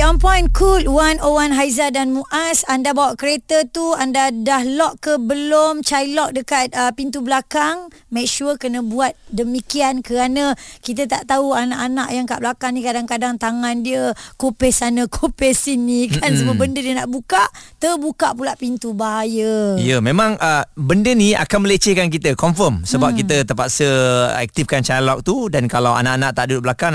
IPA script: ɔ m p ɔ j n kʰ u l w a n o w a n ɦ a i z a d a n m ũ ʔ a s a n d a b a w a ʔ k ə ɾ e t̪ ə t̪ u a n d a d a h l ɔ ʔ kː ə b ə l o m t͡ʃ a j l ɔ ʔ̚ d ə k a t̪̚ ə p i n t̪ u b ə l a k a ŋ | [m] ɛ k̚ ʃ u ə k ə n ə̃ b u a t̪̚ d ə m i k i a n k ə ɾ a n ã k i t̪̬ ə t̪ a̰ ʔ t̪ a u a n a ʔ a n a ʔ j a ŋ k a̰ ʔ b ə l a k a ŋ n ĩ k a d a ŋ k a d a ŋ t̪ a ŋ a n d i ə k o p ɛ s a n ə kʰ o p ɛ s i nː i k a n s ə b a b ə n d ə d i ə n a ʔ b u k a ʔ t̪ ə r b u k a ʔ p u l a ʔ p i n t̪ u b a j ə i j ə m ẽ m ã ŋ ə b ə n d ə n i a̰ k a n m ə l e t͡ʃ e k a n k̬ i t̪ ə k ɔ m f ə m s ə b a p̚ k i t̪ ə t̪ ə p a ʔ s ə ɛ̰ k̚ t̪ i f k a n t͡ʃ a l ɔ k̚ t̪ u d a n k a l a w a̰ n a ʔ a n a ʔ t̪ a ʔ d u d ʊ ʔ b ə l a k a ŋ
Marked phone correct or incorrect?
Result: correct